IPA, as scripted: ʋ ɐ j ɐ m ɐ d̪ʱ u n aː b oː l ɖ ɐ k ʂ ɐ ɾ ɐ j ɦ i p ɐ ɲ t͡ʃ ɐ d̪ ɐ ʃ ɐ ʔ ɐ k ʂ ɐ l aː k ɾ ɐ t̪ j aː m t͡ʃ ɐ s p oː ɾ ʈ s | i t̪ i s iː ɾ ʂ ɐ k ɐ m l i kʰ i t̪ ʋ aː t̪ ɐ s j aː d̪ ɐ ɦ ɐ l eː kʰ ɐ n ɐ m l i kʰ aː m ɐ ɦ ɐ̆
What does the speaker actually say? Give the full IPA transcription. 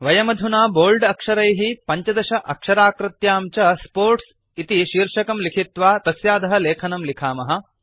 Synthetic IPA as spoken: ʋ ɐ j ɐ m ɐ d̪ʱ u n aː b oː l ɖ ɐ k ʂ ɐ ɾ ɐ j ɦ i p ɐ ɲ t͡ʃ ɐ d̪ ɐ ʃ ɐ ʔ ɐ k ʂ ɐ ɾ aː k ɾ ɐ t̪ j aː m t͡ʃ ɐ s p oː ɾ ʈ s | i t̪ i ʃ iː ɾ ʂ ɐ k ɐ m l i kʰ i t̪ ʋ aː t̪ ɐ s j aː d̪ ɐ ɦ ɐ l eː kʰ ɐ n ɐ m l i kʰ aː m ɐ ɦ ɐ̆